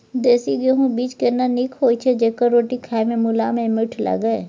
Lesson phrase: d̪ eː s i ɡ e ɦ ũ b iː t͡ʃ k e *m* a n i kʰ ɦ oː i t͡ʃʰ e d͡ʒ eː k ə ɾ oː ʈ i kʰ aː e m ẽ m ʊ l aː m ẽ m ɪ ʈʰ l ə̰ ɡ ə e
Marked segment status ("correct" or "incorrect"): incorrect